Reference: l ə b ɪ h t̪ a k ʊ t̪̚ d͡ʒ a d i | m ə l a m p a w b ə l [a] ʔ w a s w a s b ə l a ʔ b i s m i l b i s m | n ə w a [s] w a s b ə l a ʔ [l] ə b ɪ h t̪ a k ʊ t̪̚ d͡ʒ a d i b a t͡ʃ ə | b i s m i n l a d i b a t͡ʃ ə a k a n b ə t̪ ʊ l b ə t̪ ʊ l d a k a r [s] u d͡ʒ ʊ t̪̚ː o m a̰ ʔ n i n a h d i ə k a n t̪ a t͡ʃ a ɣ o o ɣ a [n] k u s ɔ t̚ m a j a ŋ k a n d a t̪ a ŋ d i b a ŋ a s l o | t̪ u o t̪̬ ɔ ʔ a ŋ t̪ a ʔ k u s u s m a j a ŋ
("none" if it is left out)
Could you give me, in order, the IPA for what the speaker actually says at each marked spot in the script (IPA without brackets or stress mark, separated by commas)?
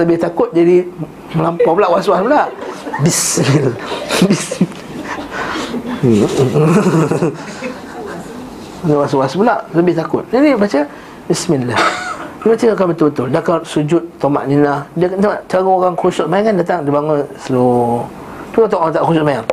a, s, l, s, ŋ